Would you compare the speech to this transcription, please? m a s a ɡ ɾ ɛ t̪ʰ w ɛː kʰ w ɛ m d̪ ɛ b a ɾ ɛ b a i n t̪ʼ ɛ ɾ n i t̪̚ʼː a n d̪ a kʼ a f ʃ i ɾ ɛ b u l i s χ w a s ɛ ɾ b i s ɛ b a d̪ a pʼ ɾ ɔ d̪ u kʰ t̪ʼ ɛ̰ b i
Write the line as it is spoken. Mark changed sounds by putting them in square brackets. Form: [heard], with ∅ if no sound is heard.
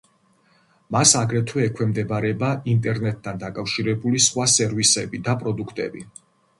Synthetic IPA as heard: m a s a ɡ ɾ ɛ t̪ʰ w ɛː kʰ w ɛ m d̪ ɛ b a ɾ ɛ b a i n t̪ʼ ɛ ɾ n [ɛ] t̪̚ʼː a n d̪ a kʼ a f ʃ i ɾ ɛ b u l i s χ w a s ɛ ɾ [v] i s ɛ b [i] d̪ a pʼ ɾ ɔ d̪ u kʰ t̪ʼ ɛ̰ b i